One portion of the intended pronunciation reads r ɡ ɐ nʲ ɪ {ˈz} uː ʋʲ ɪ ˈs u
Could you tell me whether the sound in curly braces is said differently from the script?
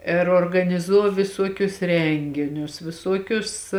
no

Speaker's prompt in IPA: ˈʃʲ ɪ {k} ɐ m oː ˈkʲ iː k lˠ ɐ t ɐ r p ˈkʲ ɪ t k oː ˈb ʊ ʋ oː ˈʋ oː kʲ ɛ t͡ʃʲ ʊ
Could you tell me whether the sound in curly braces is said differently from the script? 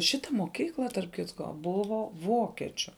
yes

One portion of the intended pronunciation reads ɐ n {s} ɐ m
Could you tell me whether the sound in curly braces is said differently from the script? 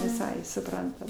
yes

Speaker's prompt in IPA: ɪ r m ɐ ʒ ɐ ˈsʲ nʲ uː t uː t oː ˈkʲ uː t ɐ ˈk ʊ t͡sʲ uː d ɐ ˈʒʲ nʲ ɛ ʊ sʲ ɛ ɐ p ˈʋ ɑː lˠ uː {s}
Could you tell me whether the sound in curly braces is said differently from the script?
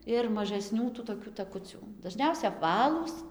no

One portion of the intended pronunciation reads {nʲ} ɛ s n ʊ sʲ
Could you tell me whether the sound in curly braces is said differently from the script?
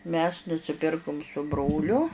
yes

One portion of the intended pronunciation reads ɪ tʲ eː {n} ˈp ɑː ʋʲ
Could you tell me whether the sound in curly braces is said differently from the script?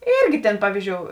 no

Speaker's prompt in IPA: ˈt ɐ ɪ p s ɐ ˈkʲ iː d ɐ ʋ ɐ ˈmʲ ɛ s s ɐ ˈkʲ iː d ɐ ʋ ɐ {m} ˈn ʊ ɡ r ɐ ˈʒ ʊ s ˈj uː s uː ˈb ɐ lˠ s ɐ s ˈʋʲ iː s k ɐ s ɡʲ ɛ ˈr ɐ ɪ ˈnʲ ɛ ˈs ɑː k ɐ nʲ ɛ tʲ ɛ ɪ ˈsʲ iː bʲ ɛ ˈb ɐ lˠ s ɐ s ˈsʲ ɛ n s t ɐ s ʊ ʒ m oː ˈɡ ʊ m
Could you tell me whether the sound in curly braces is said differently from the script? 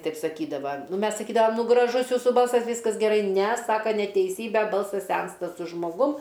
no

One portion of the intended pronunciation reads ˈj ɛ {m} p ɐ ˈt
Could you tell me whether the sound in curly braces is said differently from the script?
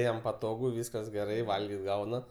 no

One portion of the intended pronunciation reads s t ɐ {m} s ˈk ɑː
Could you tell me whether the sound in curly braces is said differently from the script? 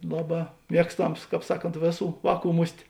no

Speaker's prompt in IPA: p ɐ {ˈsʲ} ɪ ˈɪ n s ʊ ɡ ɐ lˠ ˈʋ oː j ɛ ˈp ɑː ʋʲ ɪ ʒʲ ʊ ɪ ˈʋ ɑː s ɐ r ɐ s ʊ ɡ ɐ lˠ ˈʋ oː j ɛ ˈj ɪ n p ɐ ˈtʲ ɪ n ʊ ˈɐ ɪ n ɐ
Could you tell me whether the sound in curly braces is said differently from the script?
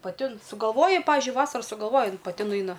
yes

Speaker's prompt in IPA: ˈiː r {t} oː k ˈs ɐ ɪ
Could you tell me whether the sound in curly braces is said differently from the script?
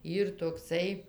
no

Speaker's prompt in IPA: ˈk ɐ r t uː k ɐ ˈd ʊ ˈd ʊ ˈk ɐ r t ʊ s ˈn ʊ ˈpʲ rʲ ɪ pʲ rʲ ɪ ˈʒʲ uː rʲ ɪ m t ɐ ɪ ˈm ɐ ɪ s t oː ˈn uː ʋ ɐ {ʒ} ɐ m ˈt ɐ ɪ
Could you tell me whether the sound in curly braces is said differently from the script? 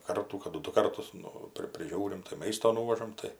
no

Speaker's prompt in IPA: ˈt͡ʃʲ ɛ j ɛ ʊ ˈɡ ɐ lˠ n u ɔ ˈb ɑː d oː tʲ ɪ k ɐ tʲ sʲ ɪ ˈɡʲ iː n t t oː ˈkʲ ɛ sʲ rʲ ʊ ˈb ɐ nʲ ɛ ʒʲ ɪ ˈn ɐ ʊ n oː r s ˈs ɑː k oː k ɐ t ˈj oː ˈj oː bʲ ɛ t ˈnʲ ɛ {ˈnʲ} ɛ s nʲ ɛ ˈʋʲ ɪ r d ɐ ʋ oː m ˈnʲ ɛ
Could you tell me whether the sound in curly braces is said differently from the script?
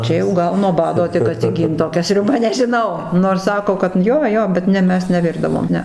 yes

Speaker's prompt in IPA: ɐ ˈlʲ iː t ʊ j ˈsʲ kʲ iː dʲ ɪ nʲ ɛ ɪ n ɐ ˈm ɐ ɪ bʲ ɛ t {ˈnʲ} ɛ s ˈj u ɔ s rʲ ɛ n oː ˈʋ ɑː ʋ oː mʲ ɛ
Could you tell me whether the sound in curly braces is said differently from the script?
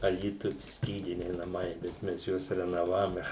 yes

